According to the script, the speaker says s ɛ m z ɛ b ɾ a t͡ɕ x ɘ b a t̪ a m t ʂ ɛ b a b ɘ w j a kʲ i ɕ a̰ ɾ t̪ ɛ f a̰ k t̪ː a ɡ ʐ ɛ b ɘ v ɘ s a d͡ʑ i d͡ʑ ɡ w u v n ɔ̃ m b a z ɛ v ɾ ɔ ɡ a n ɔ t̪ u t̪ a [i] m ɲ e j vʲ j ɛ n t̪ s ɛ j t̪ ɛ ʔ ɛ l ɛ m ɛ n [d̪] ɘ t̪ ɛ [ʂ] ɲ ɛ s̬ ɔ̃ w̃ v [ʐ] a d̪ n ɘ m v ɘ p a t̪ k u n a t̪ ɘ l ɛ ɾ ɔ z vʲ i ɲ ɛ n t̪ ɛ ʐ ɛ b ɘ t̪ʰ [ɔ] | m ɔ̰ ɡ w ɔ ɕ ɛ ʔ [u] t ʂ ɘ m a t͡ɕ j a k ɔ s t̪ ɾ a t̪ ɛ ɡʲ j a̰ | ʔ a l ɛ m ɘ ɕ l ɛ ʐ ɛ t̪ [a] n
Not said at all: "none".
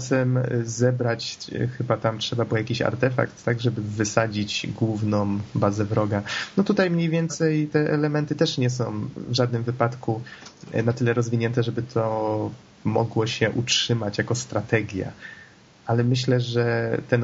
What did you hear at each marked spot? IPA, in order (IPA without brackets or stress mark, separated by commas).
j, t̪, ʂ, ʐ, ɔ, u, ɛ